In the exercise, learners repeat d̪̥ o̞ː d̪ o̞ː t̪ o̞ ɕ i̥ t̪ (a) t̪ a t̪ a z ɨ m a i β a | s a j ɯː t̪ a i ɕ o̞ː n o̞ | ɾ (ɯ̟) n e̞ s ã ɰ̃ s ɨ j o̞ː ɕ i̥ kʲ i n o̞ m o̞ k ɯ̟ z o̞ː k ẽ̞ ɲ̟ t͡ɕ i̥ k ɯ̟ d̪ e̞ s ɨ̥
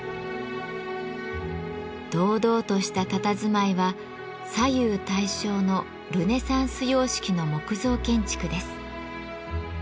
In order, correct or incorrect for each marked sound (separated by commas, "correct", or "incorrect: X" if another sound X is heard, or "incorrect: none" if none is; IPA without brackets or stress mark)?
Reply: correct, correct